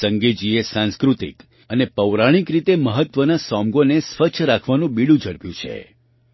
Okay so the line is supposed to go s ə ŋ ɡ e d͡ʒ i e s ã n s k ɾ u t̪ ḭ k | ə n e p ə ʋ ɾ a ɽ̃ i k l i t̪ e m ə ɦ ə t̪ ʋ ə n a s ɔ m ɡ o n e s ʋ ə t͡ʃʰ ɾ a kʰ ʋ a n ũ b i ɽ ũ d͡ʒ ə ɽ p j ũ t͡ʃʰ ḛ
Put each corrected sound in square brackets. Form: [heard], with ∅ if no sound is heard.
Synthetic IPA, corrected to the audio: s ə ŋ ɡ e d͡ʒ i e s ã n s k ɾ u t̪ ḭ k | ə n e p ə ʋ ɾ a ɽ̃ i k [ɾ] i t̪ e m ə ɦ ə t̪ ʋ ə n a s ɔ m ɡ o n e s ʋ ə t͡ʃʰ ɾ a kʰ ʋ a n ũ b i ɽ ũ d͡ʒ ə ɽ p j ũ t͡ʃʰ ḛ